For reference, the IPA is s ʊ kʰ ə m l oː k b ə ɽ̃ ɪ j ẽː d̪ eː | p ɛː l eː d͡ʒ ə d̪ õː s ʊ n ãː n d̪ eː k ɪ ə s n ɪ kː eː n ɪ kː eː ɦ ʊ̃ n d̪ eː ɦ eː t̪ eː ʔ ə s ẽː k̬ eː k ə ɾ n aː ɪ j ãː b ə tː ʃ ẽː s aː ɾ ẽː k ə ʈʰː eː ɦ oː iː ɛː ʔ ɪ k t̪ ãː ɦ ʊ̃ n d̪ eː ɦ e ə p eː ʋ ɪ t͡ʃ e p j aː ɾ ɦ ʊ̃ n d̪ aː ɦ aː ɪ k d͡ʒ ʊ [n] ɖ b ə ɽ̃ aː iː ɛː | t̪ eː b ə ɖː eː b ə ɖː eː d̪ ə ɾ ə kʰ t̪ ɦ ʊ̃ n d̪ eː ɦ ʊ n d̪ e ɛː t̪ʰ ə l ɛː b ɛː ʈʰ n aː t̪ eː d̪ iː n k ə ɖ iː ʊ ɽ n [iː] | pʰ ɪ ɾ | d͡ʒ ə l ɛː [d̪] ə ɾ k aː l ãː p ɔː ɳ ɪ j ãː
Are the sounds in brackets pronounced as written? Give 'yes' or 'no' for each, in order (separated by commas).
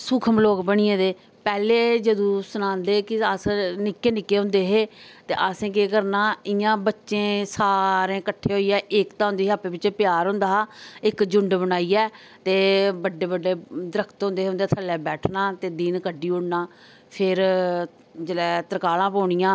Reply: no, no, no